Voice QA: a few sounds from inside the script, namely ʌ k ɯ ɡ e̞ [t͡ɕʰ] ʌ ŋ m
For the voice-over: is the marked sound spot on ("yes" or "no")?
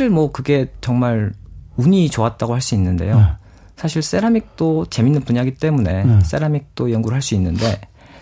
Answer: no